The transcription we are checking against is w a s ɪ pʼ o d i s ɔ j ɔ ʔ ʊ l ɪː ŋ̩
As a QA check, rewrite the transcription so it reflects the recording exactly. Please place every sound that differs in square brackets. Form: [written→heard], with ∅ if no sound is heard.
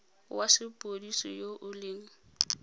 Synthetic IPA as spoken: w a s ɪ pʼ o d i s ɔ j [ɔ→o] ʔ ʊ l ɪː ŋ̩

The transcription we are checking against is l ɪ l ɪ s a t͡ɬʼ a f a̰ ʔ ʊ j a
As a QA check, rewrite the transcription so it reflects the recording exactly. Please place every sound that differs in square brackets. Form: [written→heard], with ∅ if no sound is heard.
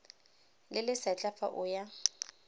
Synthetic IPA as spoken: l ɪ l ɪ s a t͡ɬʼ a f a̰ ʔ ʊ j a

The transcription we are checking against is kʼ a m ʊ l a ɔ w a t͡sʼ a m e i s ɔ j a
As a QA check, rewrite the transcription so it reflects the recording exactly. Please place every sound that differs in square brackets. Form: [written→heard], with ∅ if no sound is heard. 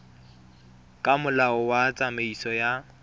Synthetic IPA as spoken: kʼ a m ʊ l a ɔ w a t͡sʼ a m e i s ɔ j a

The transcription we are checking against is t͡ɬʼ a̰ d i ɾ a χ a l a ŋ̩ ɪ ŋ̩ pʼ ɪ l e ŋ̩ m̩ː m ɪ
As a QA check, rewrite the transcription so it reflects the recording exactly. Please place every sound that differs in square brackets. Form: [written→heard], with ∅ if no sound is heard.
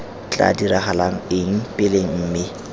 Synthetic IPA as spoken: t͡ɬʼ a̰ d i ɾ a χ a l a ŋ̩ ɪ ŋ̩ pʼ ɪ l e ŋ̩ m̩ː m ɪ

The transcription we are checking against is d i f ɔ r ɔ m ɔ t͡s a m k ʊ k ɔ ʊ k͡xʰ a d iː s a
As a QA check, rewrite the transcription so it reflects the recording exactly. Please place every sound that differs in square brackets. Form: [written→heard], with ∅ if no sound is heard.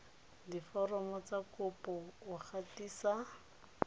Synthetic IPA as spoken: d i f ɔ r ɔ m ɔ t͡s a [m→∅] k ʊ [k→p] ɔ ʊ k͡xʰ a [d→t] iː s a

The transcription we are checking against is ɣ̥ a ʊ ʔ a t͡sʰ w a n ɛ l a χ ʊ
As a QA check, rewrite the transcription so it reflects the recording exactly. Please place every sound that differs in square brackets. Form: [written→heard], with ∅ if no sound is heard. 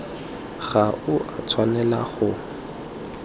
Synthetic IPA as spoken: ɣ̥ a ʊ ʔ a t͡sʰ w a n ɛ l a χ ʊ

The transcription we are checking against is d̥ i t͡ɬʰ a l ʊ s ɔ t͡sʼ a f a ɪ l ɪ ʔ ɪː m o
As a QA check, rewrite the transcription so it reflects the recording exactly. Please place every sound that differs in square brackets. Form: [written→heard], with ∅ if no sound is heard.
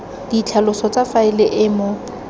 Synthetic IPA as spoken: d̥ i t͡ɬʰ a l ʊ s ɔ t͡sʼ a f a ɪ l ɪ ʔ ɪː m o

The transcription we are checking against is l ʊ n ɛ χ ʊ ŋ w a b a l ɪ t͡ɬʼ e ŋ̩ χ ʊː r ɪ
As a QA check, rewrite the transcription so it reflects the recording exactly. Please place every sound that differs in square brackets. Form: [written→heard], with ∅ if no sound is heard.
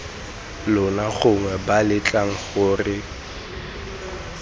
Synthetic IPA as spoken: l ʊ n [ɛ→a] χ ʊ ŋ w [a→ɛ] b a l ɪ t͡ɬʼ [e→a] ŋ̩ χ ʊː r ɪ

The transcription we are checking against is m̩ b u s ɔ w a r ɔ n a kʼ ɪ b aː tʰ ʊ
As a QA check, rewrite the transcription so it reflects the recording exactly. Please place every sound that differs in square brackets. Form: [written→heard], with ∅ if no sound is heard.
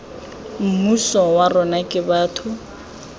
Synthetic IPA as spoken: m̩ [b→m] u s ɔ w a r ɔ n a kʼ ɪ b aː tʰ ʊ

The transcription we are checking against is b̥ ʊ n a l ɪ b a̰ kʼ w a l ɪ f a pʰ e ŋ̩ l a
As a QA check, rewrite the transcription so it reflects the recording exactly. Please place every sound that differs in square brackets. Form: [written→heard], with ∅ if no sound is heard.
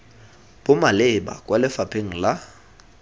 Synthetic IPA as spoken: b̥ ʊ [n→m] a l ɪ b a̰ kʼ w a l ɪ f a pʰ e ŋ̩ l a

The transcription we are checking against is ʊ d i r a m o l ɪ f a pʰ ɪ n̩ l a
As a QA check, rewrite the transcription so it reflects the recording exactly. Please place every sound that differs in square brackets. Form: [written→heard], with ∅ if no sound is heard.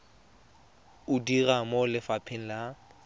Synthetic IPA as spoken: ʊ d i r a m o l ɪ f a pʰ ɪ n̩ l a

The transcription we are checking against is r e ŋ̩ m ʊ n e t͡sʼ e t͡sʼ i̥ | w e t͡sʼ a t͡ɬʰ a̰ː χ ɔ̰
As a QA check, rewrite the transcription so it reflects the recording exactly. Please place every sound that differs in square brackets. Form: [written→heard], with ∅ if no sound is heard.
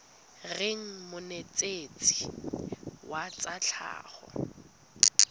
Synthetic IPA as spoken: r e ŋ̩ m ʊ n e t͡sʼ e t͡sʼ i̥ | w [e→a] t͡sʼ a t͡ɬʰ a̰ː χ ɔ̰

